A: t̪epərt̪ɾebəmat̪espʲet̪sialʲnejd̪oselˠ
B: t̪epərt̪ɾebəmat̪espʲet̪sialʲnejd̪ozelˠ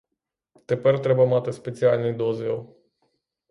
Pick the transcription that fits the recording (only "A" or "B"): B